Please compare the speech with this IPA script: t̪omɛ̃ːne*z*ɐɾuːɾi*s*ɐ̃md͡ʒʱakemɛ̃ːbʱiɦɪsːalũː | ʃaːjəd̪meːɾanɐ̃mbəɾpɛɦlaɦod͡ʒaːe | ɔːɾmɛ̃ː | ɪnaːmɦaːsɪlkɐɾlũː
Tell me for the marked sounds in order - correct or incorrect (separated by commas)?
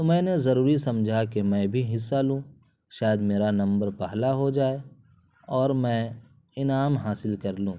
correct, correct